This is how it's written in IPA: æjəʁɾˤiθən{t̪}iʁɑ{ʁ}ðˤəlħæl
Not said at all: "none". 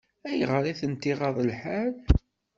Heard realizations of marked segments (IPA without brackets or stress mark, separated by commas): t̪, none